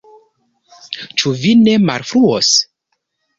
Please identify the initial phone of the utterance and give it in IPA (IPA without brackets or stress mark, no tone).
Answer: t͡ʃ